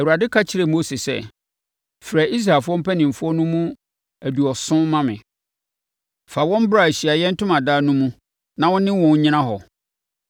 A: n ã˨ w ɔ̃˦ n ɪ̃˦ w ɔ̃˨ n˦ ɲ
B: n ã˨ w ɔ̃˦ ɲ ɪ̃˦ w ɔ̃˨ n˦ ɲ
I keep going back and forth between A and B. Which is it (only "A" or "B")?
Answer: A